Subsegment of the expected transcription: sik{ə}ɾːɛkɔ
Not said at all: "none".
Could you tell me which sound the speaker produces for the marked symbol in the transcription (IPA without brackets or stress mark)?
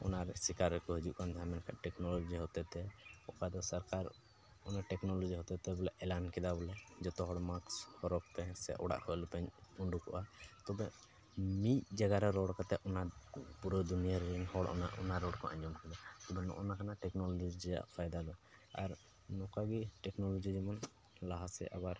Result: a